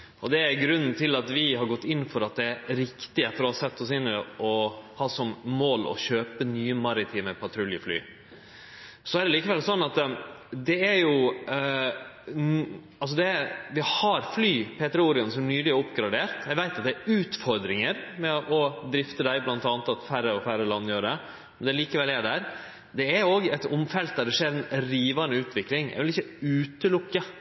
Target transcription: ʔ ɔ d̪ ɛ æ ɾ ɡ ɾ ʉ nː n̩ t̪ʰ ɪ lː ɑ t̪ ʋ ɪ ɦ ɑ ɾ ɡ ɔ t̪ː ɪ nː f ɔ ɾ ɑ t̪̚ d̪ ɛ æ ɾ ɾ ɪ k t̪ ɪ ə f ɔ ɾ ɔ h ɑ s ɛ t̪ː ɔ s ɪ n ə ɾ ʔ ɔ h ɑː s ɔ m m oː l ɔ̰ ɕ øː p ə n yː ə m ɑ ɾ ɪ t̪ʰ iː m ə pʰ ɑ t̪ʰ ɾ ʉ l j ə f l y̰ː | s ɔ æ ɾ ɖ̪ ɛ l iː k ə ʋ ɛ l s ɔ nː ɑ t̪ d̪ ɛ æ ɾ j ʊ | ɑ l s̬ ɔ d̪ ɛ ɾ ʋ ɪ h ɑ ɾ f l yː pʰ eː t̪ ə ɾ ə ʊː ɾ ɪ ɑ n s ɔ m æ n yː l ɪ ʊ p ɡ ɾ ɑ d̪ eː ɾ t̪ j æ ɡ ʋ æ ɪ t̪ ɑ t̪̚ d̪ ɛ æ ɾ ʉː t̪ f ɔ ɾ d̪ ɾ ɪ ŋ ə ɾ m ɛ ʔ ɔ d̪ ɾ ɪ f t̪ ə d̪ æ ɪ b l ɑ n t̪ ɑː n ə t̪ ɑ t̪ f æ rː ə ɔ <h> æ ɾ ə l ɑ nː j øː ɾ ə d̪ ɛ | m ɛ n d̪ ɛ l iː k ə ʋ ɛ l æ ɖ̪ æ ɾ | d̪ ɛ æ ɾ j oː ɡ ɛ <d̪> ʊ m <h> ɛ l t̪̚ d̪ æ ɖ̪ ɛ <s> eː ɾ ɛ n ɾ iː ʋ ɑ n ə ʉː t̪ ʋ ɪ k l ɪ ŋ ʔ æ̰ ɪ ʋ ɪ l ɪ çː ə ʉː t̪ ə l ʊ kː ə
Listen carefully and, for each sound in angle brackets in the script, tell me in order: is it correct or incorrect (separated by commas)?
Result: incorrect, incorrect, incorrect, incorrect